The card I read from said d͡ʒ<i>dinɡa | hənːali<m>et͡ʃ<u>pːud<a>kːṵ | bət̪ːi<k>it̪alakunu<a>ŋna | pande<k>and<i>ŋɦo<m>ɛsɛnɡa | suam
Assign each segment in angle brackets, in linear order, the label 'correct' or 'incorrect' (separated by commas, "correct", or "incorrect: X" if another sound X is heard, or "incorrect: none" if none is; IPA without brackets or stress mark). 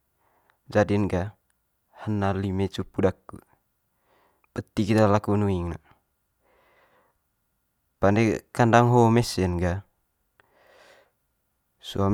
incorrect: a, correct, correct, correct, correct, incorrect: i, correct, incorrect: a, correct